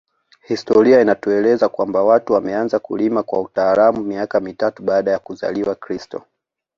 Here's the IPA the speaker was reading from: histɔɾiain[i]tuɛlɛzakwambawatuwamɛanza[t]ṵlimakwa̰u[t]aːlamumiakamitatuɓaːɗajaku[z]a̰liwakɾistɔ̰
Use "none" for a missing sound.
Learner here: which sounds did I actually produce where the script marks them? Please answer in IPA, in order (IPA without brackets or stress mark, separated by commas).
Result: a, k, t, z